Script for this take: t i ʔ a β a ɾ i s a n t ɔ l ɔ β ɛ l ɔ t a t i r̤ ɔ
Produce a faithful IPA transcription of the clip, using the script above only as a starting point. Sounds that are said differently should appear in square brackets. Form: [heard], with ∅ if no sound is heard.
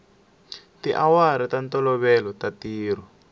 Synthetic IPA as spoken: t i ʔ a [w] a ɾ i [t] a n t ɔ l ɔ β ɛ l ɔ t a t [iː] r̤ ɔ